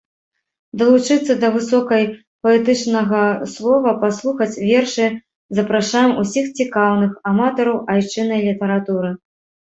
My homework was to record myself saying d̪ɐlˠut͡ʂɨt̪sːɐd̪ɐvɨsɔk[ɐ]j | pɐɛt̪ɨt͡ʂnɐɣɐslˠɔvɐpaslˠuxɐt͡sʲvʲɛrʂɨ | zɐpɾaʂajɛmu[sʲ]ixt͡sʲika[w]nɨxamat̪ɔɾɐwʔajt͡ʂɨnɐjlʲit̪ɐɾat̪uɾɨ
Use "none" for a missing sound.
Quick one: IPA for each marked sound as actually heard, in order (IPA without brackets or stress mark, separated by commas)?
ɐ, sʲ, w